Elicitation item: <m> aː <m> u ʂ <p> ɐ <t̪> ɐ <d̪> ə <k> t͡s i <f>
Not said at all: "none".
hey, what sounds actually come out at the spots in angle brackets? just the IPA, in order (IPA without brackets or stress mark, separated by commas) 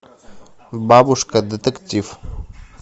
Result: b, b, k, d̪, t̪, k, f